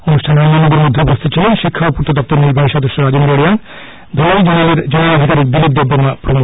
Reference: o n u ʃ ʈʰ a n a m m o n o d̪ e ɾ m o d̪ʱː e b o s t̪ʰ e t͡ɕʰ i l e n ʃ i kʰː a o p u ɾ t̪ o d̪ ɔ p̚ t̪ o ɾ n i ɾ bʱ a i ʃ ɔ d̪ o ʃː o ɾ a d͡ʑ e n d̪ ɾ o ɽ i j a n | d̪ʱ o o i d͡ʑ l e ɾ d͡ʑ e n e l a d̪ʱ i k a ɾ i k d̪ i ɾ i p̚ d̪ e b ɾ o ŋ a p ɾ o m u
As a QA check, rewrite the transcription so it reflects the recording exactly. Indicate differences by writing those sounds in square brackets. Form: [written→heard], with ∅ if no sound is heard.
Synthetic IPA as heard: o n u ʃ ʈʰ a n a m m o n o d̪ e ɾ m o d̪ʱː e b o s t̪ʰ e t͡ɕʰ i l e n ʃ i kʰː a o p u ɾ t̪ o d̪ ɔ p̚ t̪ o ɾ n i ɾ bʱ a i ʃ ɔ d̪ o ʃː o ɾ a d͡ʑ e n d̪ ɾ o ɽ i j a n | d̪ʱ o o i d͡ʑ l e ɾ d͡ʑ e n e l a d̪ʱ i k a ɾ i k d̪ i [ɾ→l] i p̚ d̪ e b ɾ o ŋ a p ɾ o m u